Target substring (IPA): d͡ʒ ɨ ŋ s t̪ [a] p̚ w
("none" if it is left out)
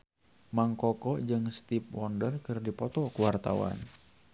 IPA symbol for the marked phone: i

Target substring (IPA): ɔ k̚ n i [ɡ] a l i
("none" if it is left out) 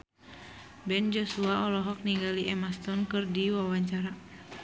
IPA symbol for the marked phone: ɡ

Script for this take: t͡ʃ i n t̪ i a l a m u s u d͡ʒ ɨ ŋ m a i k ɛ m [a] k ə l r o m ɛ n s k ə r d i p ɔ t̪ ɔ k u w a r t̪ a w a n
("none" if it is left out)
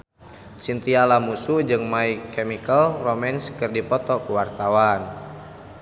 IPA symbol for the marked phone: i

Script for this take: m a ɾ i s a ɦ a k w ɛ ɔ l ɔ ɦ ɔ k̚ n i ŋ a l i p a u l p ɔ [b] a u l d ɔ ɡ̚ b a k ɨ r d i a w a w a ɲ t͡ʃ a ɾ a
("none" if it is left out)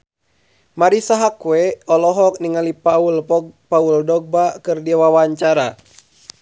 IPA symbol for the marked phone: p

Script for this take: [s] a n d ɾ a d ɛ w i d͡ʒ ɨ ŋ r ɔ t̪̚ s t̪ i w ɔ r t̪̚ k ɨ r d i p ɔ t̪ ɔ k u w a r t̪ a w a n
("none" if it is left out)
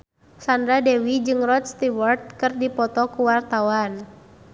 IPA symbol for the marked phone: s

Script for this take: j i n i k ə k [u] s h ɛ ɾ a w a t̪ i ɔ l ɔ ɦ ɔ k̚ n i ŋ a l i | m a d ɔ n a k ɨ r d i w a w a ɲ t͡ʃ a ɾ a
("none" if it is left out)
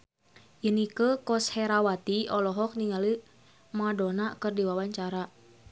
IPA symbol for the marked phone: ɔ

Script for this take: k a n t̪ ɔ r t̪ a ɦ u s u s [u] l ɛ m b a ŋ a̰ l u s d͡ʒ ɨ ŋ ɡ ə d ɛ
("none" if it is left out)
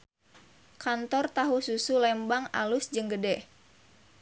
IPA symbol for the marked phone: u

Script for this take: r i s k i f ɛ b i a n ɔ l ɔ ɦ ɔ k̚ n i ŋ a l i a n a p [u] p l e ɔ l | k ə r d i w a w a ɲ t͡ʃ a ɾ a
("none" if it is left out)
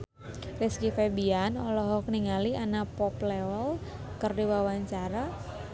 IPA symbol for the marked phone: ɔ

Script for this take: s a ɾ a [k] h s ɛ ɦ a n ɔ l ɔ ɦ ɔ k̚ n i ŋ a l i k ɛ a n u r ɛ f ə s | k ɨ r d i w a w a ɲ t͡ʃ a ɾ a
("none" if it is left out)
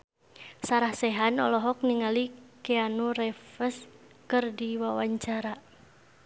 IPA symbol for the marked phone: none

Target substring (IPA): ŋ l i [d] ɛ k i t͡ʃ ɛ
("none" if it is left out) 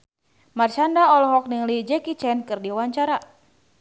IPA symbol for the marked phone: d͡ʒ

